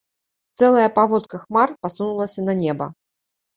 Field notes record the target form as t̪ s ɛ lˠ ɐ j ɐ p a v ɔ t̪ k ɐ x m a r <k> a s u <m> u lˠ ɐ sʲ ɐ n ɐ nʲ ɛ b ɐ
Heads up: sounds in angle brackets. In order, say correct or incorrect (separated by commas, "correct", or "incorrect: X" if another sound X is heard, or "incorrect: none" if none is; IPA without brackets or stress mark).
incorrect: p, incorrect: n